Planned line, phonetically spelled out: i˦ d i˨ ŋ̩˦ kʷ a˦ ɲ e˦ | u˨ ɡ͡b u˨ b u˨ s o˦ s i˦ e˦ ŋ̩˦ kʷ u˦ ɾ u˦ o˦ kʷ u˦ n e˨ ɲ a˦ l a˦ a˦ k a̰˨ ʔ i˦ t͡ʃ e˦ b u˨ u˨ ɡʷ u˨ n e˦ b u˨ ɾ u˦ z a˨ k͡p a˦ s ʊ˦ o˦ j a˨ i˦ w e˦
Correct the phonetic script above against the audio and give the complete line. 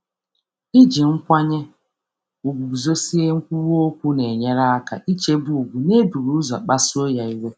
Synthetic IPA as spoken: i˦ d͡ʒ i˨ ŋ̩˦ kʷ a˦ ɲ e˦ | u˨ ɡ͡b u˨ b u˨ z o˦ s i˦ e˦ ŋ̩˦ kʷ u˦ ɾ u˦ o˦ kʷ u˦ n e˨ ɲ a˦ ɾ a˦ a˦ k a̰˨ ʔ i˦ t͡ʃ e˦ b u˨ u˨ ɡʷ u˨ n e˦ b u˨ ɾ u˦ z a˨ k͡p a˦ s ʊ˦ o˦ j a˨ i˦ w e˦